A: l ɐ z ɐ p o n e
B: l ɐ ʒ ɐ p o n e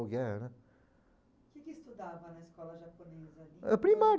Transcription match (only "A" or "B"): B